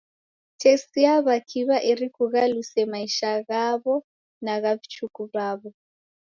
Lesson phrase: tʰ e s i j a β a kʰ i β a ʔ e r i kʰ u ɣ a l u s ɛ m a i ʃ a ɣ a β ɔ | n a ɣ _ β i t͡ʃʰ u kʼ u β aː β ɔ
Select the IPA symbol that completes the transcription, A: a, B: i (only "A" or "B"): A